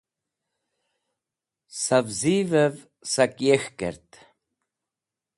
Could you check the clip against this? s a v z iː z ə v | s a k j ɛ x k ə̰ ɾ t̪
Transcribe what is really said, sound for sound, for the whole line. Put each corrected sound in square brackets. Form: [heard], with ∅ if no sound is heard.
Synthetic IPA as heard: s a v z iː [v] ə v | s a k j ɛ x k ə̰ ɾ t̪